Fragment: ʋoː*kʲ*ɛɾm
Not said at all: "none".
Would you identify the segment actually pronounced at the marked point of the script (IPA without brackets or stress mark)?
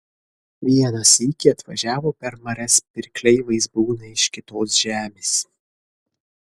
pʲ